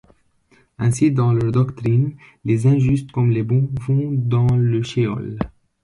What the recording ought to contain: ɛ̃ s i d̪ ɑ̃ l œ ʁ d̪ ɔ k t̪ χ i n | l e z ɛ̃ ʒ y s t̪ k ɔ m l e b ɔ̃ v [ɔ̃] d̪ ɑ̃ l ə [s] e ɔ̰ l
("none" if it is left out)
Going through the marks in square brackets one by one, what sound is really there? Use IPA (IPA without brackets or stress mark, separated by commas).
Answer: ɔ̃, ʃ